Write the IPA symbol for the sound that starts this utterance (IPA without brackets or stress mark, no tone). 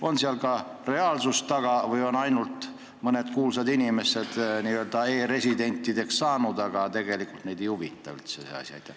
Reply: o̞